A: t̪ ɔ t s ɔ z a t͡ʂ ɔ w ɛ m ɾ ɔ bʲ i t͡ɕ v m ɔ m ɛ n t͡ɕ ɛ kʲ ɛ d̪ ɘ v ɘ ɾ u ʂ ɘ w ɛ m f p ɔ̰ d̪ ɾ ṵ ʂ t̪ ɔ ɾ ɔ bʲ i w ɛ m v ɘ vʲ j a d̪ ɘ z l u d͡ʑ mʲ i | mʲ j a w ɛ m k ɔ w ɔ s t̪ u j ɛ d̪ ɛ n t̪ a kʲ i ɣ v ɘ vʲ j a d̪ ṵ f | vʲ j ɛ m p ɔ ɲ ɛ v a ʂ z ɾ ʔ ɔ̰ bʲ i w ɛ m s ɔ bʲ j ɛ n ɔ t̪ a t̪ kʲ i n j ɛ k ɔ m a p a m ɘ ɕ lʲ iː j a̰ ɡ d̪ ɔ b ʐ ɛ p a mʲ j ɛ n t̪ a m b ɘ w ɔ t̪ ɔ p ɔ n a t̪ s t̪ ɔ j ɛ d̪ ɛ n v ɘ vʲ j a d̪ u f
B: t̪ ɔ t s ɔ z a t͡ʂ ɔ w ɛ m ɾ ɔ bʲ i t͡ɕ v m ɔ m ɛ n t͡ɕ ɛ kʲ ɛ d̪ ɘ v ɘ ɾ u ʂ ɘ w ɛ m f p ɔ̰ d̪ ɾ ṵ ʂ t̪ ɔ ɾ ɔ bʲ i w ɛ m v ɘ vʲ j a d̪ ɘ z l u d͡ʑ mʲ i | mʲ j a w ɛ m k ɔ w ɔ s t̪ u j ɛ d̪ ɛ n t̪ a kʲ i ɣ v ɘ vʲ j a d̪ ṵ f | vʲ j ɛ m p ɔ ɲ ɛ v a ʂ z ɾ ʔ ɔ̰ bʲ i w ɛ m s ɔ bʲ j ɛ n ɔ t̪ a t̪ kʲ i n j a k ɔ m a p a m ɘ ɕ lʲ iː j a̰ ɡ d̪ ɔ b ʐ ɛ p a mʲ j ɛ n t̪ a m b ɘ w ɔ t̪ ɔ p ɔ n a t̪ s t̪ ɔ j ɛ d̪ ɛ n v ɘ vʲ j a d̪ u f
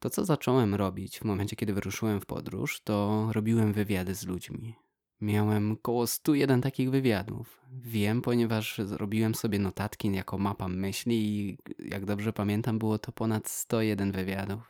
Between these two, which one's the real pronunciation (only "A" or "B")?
B